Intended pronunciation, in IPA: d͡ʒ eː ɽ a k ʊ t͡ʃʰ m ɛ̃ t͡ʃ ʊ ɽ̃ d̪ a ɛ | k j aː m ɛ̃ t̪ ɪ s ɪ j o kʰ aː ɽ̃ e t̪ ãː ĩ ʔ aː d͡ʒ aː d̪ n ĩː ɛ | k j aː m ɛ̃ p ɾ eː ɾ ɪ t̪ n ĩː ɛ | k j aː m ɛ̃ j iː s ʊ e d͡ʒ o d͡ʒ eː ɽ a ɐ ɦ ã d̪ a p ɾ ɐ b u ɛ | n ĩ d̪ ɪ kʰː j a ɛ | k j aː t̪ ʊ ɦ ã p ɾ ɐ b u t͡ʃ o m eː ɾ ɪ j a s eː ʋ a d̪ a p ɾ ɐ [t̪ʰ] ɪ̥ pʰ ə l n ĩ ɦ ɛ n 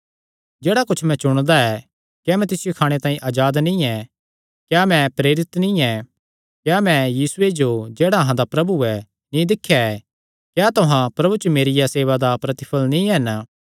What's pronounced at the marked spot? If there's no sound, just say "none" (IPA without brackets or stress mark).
t̪